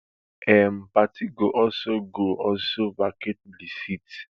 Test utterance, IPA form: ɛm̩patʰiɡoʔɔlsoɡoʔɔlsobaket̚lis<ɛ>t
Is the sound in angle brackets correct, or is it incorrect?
incorrect